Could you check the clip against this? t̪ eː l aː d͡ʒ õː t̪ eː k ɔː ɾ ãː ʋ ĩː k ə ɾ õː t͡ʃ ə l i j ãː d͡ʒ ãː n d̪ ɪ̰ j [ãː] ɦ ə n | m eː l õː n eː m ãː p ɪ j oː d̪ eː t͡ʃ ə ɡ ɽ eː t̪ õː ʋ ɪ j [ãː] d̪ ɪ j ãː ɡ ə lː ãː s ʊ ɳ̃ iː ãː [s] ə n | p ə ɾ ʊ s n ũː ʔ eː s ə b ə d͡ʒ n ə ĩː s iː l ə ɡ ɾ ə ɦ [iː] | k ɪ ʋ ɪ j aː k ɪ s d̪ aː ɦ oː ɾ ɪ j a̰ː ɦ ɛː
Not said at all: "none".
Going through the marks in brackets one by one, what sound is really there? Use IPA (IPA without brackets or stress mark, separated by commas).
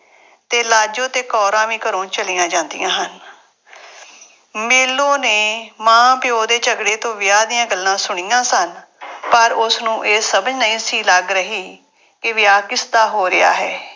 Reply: ãː, aː, s, iː